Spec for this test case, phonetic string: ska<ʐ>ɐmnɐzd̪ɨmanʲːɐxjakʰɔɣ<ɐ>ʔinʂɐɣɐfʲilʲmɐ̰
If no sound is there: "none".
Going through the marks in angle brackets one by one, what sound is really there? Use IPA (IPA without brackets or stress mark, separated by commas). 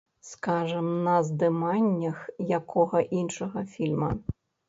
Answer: ʐ, ɐ